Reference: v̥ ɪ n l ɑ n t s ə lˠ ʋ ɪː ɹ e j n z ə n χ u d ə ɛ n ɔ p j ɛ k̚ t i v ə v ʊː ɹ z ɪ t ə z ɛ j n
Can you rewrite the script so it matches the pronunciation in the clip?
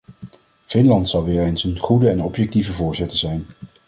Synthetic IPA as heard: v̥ ɪ n l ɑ n t s ɑ lˠ ʋ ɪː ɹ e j n s ə n χ u d ə ɛ n ɔ p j ɛ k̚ t i v ə v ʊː ɹ z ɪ t ə z ɛ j n